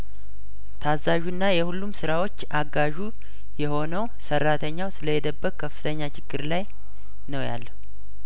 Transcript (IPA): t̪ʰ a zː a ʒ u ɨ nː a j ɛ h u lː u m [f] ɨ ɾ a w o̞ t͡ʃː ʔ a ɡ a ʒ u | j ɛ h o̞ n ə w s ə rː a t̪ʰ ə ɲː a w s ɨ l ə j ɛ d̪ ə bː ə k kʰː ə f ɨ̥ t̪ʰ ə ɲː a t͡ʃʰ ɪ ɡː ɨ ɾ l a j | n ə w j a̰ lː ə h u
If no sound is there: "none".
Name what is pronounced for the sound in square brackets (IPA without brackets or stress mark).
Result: s